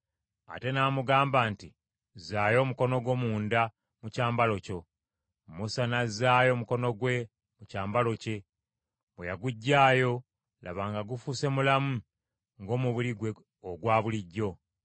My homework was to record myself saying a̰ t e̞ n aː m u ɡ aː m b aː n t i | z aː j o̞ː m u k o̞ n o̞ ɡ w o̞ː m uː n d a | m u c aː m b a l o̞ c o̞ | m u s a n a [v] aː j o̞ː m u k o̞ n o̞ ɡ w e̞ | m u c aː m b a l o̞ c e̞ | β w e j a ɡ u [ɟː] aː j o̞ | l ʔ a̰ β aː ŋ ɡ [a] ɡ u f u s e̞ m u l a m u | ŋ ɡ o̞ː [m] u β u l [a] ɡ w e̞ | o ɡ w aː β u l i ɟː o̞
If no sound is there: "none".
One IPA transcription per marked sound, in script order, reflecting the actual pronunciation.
z, ɟː, a, m, i

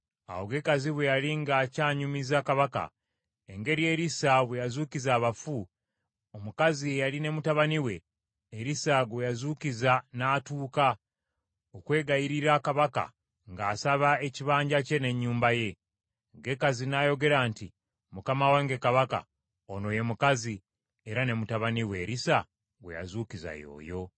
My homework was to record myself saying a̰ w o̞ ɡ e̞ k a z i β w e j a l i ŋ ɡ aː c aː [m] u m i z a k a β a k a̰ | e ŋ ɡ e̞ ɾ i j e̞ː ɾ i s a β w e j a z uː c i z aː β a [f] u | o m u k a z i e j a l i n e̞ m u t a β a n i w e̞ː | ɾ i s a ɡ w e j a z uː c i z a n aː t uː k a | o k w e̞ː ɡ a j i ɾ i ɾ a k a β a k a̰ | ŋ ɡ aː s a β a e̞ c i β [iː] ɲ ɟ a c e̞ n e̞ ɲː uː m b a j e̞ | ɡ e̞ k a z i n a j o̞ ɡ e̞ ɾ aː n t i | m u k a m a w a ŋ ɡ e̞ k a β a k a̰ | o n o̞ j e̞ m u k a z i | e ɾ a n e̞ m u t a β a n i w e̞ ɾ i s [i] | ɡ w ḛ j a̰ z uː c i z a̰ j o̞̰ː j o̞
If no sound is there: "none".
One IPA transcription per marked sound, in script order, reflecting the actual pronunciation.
ɲ, f, aː, a

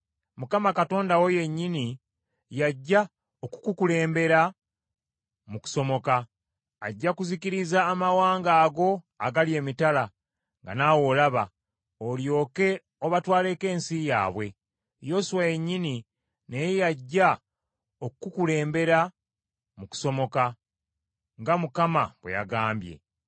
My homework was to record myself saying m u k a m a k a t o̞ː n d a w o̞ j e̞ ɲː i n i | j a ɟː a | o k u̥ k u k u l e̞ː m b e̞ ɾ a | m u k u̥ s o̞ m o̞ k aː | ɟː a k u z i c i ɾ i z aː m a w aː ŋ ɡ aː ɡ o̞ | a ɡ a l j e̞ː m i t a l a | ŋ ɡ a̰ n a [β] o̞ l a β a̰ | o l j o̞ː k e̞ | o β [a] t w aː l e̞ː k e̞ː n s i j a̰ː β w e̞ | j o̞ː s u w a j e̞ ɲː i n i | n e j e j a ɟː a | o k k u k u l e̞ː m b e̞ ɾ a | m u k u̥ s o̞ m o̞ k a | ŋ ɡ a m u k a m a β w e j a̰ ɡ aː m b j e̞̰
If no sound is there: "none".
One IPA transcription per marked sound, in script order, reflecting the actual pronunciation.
w, a

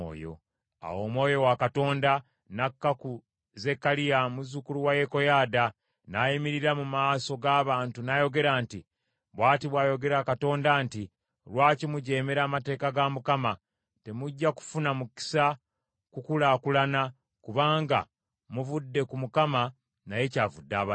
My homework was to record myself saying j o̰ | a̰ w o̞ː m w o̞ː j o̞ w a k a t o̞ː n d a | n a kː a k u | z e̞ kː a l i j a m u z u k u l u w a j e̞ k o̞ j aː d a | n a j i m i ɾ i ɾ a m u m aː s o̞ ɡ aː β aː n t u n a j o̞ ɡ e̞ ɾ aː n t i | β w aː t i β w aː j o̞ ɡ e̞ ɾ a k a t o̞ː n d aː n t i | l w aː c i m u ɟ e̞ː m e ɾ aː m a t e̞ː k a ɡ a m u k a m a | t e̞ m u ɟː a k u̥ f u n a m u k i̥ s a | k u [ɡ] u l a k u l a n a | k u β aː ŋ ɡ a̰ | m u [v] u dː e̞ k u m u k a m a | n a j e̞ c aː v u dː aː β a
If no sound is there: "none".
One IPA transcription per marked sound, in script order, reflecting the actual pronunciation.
k, v

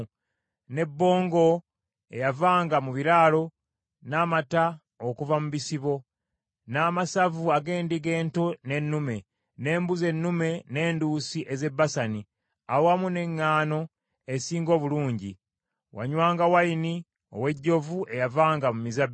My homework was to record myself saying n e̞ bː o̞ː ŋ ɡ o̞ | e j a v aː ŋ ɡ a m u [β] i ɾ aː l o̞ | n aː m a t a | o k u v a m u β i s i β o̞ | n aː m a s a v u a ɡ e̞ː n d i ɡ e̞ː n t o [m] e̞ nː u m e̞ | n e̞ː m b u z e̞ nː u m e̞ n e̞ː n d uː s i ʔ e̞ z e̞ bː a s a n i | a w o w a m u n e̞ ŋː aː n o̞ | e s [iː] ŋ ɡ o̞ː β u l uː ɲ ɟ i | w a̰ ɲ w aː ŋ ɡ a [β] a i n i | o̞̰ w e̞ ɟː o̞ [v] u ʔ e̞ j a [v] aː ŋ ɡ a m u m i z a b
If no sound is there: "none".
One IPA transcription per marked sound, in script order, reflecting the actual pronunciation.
β, n, iː, w, v, v

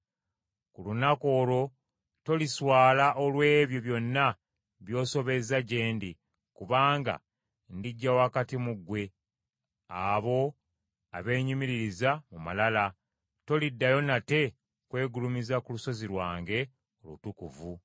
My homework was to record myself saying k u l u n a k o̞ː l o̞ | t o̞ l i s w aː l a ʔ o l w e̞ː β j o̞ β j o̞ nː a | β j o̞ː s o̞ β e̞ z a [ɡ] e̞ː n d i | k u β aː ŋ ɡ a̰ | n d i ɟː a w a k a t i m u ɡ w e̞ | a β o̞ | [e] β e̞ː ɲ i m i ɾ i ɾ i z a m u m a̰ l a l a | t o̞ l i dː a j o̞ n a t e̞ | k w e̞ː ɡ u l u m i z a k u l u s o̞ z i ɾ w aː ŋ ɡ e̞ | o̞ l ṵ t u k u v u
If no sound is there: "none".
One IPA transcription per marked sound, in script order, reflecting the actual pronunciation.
ɟ, a

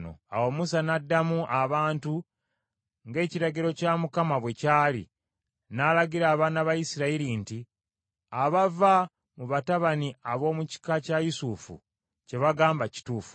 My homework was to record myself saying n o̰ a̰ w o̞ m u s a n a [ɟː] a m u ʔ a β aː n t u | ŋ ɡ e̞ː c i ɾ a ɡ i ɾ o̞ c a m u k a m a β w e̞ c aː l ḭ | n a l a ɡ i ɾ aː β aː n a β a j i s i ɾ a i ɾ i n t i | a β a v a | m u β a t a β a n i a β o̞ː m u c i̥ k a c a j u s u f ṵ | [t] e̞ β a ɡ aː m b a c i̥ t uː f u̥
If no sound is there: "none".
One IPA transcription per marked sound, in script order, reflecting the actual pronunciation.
dː, c

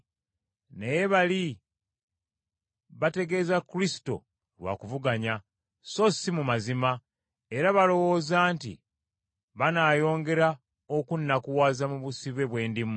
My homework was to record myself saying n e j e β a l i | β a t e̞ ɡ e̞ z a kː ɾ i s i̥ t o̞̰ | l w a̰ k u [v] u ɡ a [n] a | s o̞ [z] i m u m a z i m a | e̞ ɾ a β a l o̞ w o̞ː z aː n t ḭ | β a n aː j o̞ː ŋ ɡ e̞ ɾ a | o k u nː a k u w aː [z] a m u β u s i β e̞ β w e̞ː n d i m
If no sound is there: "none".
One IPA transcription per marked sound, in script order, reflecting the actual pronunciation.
v, ɲ, s, z

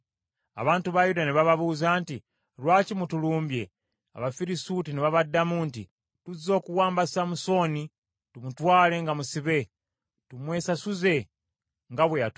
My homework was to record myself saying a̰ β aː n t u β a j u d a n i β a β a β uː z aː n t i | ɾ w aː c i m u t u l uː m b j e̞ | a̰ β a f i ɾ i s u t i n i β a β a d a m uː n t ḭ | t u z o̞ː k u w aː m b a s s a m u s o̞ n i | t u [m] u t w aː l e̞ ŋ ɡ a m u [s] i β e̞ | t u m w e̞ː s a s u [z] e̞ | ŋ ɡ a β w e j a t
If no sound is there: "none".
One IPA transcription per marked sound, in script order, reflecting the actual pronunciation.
m, s, z

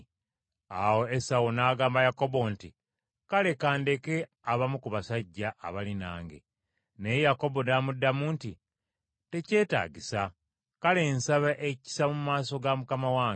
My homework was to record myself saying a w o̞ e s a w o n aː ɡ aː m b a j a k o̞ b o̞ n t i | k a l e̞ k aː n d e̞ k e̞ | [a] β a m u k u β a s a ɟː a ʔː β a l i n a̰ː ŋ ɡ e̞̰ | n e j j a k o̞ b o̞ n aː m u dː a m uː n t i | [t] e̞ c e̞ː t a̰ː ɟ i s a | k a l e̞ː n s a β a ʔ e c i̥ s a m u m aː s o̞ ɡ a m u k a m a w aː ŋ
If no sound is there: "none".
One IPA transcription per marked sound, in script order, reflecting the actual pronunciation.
a, t

